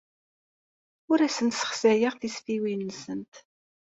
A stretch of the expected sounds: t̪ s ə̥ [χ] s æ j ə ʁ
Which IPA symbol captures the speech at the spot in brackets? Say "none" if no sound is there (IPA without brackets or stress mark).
χ